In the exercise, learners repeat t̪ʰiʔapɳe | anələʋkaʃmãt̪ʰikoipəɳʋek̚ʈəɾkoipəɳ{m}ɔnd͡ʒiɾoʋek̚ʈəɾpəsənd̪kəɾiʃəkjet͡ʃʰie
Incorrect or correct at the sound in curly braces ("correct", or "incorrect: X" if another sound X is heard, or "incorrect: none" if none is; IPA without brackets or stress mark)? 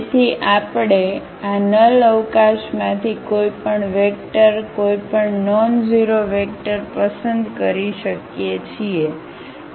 incorrect: n